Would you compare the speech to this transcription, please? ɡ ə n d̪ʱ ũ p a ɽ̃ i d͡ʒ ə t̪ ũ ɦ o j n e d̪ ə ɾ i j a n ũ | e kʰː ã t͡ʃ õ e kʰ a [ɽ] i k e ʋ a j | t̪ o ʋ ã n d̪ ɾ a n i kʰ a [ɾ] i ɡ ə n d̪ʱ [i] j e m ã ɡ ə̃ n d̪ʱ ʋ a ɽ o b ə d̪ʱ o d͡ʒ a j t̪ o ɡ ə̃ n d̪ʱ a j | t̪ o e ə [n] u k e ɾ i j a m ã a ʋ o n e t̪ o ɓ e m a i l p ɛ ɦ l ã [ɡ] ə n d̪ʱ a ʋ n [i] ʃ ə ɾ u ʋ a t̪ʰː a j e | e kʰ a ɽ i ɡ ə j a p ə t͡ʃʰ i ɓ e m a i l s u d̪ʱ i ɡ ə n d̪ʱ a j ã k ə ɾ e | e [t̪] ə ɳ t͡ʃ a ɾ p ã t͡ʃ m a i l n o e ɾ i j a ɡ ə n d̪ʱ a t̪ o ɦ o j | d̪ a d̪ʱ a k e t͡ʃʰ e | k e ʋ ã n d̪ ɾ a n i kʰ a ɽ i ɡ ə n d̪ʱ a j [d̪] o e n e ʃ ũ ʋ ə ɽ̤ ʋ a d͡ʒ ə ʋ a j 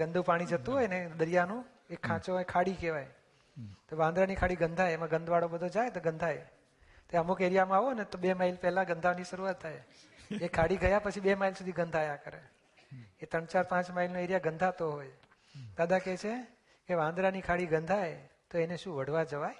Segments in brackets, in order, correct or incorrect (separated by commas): correct, incorrect, incorrect, incorrect, correct, correct, correct, incorrect